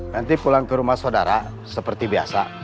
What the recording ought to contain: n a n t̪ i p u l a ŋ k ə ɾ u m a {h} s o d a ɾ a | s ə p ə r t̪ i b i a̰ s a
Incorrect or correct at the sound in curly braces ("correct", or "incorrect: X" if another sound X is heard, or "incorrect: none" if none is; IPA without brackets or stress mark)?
correct